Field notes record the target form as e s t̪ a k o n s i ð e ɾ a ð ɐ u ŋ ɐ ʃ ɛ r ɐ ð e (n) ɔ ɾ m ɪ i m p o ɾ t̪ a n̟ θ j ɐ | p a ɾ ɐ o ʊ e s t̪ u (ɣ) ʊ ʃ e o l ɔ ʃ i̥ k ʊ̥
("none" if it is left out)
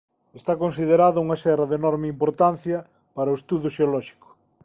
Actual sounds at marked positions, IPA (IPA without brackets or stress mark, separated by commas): n, ð